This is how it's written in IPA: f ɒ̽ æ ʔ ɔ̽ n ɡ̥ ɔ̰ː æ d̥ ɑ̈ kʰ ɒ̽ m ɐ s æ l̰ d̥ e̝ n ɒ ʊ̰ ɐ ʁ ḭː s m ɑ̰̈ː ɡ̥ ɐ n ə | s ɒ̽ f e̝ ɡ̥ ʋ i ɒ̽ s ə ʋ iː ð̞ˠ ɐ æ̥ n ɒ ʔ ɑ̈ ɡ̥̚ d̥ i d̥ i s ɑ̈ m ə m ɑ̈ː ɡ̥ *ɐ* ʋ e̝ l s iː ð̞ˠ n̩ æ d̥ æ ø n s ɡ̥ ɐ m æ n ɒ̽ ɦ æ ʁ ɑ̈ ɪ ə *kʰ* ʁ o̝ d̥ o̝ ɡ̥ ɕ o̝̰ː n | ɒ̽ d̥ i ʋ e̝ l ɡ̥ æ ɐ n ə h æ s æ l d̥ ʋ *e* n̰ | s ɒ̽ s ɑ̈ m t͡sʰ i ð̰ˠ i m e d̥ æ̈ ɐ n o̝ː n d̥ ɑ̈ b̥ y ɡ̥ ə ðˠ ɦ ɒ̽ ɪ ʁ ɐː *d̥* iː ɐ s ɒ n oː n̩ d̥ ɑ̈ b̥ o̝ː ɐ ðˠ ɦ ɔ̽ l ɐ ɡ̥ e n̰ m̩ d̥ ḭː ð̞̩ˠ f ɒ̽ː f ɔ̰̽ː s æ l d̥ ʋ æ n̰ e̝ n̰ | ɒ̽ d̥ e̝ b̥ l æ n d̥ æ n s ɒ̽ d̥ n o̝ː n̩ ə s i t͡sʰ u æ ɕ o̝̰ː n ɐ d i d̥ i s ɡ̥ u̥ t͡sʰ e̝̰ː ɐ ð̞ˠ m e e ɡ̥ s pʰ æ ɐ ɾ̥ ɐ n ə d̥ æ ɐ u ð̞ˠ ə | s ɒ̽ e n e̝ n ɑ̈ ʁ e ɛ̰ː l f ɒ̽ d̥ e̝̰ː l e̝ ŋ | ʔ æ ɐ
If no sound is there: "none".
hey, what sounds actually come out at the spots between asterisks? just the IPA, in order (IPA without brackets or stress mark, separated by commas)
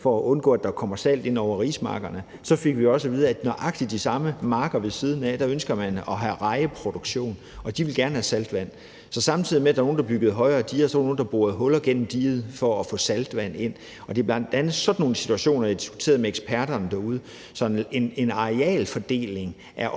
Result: ɐ, pʰ, æ, d̥